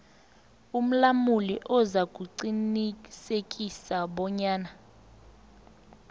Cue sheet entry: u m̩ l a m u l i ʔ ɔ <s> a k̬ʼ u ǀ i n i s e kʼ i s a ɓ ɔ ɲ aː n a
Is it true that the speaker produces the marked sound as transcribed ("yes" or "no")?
no